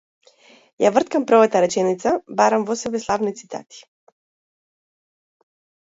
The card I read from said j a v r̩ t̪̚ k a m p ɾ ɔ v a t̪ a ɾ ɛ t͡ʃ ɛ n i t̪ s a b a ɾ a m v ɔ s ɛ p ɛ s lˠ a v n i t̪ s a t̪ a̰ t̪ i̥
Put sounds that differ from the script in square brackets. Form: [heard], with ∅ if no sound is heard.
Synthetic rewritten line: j a v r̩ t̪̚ k a m p ɾ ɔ v a t̪ a ɾ ɛ t͡ʃ ɛ n i t̪ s a b a ɾ a m v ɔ s ɛ [b] ɛ s lˠ a v n i t̪ s [i] t̪ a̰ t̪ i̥